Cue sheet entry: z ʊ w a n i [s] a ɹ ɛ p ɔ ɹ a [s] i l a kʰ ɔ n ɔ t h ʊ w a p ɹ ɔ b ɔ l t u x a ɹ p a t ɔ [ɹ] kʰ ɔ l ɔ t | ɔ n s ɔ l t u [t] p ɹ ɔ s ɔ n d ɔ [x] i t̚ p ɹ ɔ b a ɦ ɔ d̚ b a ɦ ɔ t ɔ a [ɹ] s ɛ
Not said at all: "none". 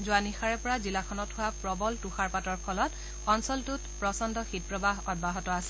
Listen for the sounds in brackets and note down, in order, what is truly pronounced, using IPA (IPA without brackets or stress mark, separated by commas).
x, z, ɹ, t, x, none